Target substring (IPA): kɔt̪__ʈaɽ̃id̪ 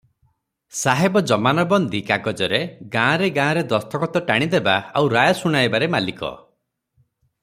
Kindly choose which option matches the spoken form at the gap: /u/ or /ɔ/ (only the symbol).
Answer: ɔ